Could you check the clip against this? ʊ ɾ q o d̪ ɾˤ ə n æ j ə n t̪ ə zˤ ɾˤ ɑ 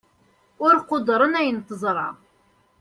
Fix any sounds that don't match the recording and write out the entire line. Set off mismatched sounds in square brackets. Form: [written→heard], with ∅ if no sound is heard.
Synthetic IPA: ʊ ɾ q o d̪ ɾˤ ə n æ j ə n t̪ ə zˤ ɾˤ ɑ